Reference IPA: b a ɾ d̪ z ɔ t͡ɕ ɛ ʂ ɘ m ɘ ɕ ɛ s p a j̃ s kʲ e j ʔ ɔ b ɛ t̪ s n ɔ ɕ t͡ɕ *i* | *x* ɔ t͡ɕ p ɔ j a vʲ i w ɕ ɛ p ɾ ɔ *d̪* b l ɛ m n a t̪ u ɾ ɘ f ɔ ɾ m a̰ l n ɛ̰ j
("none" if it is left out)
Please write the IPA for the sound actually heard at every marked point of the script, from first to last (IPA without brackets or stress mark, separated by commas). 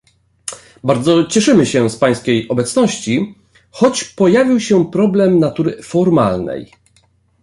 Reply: i, x, none